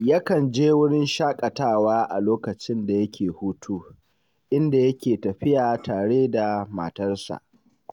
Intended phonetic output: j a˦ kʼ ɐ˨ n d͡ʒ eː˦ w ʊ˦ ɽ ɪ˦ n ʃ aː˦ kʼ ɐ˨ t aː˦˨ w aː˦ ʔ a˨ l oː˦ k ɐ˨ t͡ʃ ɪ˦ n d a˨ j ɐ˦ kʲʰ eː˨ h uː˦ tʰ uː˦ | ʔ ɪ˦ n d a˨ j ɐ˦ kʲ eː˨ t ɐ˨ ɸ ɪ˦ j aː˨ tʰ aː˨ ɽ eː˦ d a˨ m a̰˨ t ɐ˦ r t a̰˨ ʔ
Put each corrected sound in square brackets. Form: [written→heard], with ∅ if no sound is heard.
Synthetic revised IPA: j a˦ [kʼ→k] ɐ˨ n d͡ʒ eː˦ w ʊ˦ ɽ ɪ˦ n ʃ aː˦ kʼ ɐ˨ t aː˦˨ w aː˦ ʔ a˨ l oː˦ k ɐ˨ t͡ʃ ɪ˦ n d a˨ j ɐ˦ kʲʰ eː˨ h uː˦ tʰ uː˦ | ʔ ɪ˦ n d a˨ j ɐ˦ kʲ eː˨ t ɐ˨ ɸ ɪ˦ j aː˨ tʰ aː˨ ɽ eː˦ d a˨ m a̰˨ t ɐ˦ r [t→s] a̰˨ ʔ